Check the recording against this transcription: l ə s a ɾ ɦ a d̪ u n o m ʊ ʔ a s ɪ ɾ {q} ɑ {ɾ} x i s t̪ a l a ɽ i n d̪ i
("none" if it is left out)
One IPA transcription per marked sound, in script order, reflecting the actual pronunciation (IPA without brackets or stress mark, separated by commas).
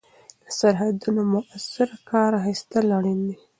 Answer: k, ɾ